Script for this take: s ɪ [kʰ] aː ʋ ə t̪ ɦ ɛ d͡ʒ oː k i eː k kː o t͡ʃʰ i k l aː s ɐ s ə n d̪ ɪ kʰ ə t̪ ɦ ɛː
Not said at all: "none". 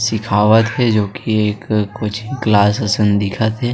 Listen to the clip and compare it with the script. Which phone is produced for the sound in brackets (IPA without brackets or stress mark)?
kʰ